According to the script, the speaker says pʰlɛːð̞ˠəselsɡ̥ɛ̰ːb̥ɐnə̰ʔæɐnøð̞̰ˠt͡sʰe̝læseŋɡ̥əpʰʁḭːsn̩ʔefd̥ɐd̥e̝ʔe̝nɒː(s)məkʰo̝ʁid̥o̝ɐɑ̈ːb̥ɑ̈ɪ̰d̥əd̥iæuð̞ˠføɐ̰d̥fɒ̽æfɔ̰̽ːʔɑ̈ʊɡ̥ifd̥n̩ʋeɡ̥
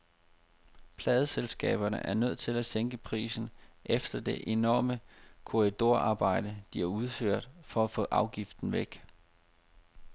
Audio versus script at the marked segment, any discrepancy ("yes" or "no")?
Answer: yes